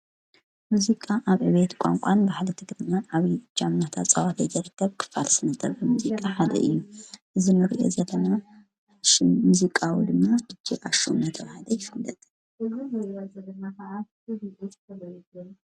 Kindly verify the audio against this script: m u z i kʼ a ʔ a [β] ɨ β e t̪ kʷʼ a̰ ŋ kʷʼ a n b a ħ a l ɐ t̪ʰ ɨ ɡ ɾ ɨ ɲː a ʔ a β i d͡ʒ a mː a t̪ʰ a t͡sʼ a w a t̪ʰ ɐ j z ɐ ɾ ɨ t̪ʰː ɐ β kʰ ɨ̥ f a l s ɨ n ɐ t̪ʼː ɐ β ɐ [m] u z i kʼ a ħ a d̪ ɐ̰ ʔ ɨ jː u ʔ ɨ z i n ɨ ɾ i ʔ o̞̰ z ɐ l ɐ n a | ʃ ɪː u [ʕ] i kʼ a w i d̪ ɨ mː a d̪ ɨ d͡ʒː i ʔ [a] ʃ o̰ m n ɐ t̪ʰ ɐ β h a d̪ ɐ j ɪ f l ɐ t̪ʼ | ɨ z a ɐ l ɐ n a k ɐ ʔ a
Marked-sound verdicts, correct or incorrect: correct, correct, incorrect, correct

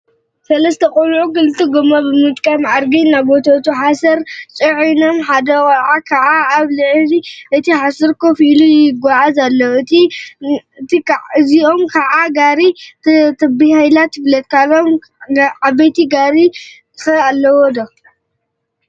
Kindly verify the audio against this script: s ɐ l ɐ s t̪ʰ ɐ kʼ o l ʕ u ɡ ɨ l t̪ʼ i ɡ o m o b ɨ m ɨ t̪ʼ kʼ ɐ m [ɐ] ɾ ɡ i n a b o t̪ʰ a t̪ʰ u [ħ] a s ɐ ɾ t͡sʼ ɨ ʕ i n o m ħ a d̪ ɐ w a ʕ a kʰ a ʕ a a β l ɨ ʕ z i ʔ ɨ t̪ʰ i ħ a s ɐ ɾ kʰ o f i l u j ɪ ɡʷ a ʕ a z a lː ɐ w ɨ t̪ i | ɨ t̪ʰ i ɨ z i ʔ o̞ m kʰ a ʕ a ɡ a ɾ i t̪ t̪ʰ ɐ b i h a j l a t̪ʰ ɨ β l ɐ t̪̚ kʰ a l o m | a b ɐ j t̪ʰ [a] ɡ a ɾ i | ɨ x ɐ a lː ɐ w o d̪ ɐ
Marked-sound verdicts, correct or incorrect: incorrect, correct, incorrect

